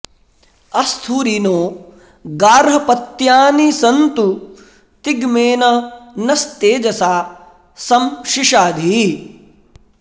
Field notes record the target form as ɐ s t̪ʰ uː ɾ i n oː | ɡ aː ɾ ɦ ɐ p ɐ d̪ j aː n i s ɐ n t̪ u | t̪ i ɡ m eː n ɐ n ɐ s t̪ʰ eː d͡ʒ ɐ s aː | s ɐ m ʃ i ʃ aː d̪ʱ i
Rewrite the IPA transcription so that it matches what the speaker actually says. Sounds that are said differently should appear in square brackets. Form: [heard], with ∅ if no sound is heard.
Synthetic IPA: ɐ s t̪ʰ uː ɾ i n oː | ɡ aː ɾ ɦ ɐ p ɐ [t̪] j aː n i s ɐ n t̪ u | t̪ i ɡ m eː n ɐ n ɐ s [t̪] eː d͡ʒ ɐ s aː | s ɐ m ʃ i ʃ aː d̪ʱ i

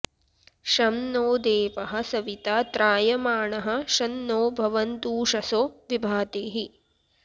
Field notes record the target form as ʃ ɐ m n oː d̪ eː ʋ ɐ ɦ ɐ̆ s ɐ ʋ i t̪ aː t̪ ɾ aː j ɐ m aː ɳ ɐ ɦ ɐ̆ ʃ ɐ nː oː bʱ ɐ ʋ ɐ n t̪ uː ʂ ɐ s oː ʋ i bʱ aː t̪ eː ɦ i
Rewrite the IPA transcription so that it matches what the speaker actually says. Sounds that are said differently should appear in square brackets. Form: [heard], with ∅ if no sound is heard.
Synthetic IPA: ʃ ɐ m n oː d̪ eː ʋ ɐ ɦ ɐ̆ s ɐ ʋ i t̪ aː t̪ ɾ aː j ɐ m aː ɳ ɐ ɦ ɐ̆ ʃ ɐ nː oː bʱ ɐ ʋ ɐ n t̪ uː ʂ ɐ s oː ʋ i bʱ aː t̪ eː ɦ i

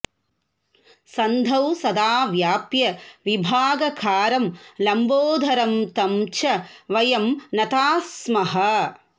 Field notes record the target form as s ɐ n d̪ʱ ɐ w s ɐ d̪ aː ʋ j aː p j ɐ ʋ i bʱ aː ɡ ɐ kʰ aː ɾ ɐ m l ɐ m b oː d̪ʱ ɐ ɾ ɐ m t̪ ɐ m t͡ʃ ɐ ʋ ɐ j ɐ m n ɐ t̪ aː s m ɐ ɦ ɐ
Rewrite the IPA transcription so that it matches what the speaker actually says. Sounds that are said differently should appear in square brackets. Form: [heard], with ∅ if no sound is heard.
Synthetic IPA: s ɐ n d̪ʱ ɐ w s ɐ d̪ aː ʋ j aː p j ɐ ʋ i bʱ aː ɡ ɐ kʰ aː ɾ ɐ m l ɐ m b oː d̪ʱ ɐ ɾ ɐ m t̪ ɐ m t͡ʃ ɐ ʋ ɐ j ɐ m n ɐ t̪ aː s m ɐ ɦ ɐ

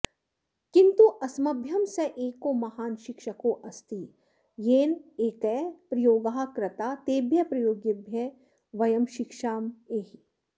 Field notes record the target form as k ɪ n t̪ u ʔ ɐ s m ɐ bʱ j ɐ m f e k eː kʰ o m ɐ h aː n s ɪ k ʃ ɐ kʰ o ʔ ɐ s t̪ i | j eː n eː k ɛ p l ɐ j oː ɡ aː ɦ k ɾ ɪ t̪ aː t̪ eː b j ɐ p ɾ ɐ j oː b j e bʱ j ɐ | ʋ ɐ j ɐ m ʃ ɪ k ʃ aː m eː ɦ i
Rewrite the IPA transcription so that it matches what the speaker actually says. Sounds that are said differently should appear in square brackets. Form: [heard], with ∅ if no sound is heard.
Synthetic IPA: k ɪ n t̪ u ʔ ɐ s m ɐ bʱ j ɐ m [s] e [ʔ] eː [k] o m ɐ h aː n [ʃ] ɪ k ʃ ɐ [k] o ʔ ɐ s t̪ i | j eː n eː k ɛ p [ɾ] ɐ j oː ɡ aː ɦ k ɾ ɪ t̪ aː t̪ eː b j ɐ p ɾ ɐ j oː [ɡ] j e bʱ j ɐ | ʋ ɐ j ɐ m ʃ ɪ k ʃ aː m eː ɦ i

